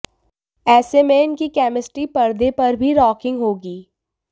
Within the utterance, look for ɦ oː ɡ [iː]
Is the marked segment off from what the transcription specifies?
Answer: no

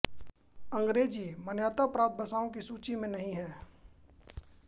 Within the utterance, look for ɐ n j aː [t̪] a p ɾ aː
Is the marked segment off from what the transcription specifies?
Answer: no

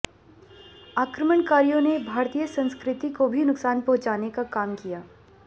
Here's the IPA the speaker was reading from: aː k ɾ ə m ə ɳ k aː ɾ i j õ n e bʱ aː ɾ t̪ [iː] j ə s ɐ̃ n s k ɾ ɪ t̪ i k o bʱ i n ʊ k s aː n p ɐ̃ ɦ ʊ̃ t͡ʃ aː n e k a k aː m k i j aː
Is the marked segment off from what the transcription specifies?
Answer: yes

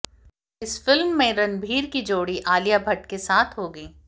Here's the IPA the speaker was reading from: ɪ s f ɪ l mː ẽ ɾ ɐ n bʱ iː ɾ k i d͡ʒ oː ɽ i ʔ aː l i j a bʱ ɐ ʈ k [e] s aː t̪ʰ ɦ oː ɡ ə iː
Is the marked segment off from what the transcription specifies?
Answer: no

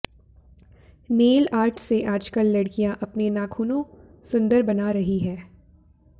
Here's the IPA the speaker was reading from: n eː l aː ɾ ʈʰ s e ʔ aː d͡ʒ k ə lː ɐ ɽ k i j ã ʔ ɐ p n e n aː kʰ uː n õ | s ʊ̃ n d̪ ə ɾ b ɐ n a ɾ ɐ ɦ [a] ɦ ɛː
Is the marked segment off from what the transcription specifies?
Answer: yes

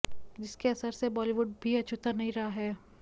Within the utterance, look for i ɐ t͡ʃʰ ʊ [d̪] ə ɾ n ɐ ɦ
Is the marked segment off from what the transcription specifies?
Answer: yes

